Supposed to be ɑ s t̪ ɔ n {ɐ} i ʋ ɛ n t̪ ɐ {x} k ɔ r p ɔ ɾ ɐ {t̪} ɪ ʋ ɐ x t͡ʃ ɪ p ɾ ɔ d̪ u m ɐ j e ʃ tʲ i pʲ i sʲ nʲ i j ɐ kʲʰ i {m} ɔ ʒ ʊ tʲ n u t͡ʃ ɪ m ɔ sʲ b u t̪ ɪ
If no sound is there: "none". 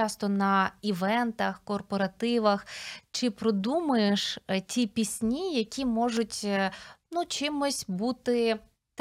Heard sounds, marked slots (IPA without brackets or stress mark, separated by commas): ɐ, x, t̪, m